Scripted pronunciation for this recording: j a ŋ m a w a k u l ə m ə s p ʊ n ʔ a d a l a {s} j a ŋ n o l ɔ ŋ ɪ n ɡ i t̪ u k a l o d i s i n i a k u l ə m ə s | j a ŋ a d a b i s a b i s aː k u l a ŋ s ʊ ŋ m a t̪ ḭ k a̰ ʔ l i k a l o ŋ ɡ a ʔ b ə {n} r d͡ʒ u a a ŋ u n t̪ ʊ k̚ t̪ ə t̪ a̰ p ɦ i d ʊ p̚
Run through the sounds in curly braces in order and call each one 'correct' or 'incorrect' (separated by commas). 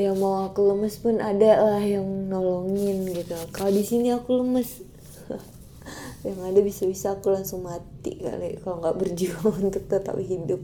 incorrect, incorrect